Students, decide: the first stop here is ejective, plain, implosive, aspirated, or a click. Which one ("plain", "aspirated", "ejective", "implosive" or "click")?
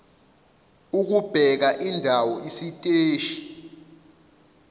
plain